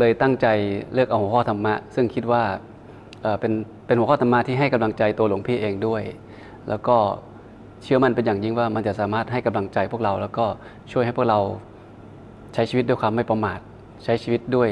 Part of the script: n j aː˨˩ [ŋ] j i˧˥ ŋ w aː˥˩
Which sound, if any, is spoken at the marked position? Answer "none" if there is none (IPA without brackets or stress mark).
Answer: ŋ